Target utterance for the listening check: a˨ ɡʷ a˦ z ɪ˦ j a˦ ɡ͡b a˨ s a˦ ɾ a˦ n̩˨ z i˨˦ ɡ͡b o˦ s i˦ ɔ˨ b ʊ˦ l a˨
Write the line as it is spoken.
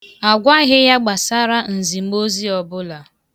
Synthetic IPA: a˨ ɡʷ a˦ ɣ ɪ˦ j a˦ ɡ͡b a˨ s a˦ ɾ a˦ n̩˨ z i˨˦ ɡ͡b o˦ z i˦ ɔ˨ b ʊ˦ l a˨